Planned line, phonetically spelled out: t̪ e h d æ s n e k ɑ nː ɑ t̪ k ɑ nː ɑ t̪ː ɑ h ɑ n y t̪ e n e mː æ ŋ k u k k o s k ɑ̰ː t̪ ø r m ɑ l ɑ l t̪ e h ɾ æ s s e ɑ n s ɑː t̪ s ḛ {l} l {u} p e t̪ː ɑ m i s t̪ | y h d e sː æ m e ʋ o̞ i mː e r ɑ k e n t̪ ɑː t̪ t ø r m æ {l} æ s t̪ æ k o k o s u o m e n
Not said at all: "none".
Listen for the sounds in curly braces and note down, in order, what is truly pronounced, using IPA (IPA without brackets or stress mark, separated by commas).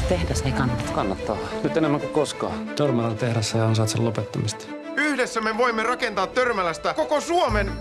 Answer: l, o, l